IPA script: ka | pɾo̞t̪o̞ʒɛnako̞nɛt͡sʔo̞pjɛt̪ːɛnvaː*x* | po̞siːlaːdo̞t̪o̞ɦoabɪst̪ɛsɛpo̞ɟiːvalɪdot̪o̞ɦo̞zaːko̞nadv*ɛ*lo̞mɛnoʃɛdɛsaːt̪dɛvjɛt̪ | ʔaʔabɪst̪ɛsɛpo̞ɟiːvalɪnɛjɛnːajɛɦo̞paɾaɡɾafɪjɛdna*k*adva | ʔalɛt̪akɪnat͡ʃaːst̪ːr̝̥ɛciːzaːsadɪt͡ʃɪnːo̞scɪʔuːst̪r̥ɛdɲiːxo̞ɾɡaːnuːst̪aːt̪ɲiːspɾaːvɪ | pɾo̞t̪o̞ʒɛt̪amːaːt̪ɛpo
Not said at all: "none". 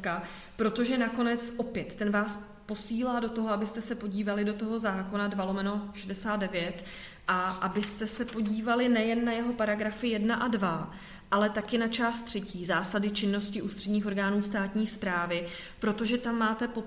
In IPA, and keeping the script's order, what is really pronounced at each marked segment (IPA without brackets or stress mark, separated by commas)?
s, a, ʔ